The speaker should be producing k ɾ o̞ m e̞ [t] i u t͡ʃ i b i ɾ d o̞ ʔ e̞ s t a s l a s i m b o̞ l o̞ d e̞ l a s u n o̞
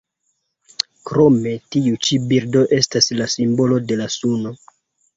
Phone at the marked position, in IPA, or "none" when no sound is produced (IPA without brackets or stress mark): t